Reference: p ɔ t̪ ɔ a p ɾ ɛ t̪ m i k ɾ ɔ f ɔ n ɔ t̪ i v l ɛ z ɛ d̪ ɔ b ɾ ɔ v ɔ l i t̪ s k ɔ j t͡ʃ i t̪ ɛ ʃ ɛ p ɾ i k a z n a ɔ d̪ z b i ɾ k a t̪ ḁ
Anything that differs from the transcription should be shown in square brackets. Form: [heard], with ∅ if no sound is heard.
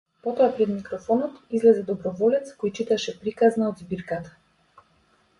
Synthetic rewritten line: p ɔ t̪ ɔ a p ɾ ɛ [d̪] m i k ɾ ɔ f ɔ n ɔ t̪ i [z] l ɛ z ɛ d̪ ɔ b ɾ ɔ v ɔ l [ɛ] t̪ s k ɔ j t͡ʃ i t̪ [a] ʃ ɛ p ɾ i k a z n a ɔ d̪ z b i ɾ k a t̪ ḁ